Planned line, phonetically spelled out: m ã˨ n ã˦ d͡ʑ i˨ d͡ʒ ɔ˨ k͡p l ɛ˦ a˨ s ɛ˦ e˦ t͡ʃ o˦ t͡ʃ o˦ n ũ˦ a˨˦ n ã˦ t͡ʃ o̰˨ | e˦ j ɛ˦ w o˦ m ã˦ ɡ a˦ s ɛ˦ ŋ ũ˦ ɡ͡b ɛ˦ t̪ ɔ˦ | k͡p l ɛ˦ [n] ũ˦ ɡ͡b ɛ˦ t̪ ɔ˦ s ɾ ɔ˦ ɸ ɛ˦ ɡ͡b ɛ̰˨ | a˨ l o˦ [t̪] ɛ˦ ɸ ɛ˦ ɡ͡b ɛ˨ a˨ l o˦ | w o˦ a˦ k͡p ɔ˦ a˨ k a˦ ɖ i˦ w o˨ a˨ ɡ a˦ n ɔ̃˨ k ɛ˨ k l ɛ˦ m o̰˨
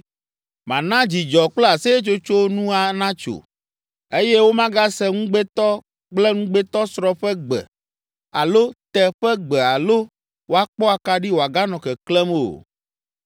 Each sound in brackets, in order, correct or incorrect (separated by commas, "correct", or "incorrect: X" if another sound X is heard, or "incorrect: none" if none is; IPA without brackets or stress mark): incorrect: ŋ, correct